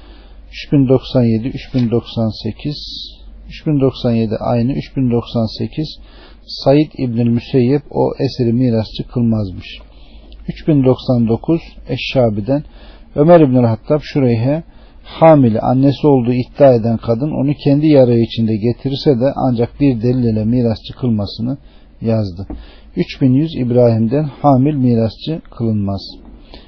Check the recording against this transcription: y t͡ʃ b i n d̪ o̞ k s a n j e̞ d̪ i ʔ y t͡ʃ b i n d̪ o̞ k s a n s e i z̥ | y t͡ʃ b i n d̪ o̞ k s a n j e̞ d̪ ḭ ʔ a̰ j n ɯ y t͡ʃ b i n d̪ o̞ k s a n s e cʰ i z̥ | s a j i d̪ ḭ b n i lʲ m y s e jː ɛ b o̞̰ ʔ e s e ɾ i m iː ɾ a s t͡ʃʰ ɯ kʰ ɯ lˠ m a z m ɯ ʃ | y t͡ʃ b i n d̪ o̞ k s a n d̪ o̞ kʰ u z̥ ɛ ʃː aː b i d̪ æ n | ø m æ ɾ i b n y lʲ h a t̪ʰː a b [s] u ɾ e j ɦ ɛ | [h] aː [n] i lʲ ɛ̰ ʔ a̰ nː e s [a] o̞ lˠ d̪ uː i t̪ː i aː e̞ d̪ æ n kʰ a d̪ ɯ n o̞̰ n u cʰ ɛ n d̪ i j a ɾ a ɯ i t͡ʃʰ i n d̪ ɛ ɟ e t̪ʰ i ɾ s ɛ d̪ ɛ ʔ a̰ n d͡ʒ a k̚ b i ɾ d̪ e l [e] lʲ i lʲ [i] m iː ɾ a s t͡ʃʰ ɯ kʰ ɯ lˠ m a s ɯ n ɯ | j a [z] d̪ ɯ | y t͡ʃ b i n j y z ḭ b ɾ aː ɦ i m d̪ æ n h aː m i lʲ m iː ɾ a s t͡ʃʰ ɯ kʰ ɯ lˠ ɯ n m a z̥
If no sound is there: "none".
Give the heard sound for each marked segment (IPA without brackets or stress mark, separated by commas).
ʃ, h, m, i, i, ɛ, z